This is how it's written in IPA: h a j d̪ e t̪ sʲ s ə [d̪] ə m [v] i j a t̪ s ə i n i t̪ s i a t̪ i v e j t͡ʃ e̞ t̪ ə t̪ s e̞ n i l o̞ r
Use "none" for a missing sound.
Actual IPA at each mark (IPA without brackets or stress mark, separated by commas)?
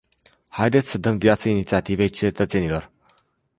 d̪, v